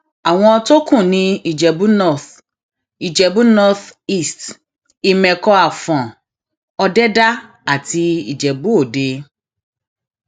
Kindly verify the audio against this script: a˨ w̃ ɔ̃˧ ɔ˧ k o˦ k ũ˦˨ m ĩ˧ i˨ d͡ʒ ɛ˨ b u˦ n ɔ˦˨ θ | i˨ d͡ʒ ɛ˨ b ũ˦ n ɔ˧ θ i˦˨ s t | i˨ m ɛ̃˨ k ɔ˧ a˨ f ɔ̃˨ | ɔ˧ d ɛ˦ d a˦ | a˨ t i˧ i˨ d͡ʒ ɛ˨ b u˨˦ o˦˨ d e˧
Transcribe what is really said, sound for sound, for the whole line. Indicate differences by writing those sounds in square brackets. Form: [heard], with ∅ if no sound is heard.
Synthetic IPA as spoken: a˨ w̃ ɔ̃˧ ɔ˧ [t] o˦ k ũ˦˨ [n] ĩ˧ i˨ d͡ʒ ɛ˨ b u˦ n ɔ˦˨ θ | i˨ d͡ʒ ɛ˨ b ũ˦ n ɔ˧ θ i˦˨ s t | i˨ m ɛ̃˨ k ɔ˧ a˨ f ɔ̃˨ | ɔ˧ d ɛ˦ d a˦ | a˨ t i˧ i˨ d͡ʒ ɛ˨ b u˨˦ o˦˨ d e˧

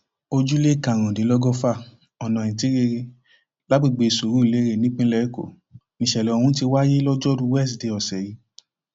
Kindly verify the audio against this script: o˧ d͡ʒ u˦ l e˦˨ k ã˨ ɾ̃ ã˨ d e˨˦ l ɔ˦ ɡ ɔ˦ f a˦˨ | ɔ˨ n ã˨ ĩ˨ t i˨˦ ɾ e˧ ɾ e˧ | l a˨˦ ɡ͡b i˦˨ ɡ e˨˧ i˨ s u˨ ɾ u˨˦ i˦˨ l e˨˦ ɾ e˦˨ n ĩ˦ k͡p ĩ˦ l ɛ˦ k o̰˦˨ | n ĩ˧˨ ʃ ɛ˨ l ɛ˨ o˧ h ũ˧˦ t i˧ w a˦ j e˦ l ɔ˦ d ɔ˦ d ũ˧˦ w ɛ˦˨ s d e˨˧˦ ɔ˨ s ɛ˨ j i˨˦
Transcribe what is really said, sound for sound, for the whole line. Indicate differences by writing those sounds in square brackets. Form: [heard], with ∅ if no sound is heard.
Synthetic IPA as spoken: o˧ d͡ʒ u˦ l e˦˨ k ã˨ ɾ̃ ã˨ d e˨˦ l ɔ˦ ɡ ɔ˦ f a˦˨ | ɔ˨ n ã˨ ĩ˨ t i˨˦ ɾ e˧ ɾ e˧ | l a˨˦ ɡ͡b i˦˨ [ɡ͡b] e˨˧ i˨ s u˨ ɾ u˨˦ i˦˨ l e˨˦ ɾ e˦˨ n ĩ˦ k͡p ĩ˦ l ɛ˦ k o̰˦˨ | n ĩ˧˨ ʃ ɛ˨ l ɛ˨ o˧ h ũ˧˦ t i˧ w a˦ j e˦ l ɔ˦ [d͡ʒ] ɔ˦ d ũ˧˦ w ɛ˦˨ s d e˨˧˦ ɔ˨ s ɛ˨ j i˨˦

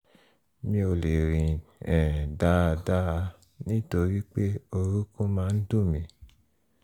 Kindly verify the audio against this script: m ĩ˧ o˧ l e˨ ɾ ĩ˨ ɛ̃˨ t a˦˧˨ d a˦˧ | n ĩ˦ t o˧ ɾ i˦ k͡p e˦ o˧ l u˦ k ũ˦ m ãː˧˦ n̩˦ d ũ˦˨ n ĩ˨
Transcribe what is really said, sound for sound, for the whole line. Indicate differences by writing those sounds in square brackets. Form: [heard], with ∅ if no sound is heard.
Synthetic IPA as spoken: m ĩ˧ o˧ l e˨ ɾ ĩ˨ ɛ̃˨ [d] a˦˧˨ d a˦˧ | n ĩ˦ t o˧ ɾ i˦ k͡p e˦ o˧ [ɾ] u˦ k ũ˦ m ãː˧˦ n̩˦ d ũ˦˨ [m] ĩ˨

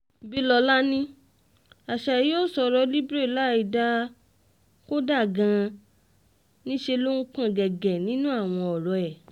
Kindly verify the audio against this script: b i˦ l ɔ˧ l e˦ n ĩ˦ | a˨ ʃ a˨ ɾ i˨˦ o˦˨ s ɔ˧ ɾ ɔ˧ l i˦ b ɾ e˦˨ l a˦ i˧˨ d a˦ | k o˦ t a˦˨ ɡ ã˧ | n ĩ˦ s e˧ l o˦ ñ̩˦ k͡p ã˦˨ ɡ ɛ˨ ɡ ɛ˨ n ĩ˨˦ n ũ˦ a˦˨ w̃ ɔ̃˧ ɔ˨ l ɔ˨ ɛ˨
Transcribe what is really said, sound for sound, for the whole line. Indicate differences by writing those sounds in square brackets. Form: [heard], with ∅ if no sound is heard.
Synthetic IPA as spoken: b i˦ l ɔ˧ l [a˦] n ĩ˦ | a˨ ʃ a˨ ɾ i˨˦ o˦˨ s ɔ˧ ɾ ɔ˧ l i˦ b ɾ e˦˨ l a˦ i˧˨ d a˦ | k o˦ [d] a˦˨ ɡ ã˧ | n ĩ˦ [ʃ] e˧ l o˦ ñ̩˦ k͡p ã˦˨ ɡ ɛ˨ ɡ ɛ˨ n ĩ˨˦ n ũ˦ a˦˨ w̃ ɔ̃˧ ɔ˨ [ɾ] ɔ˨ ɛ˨

